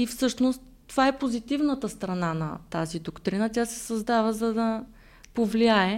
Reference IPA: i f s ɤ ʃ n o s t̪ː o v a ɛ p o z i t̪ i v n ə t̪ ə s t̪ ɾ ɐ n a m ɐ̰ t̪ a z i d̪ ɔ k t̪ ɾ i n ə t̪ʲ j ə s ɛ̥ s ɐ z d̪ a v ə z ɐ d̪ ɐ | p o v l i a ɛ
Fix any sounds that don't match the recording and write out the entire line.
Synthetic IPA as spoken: i f s ɤ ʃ n o s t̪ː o v a ɛ p o z i t̪ i v n ə t̪ ə s t̪ ɾ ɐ n a n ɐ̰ t̪ a z i d̪ o k t̪ ɾ i n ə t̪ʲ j a s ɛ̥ s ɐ z d̪ a v ə z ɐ d̪ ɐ | p o v l i a ɛ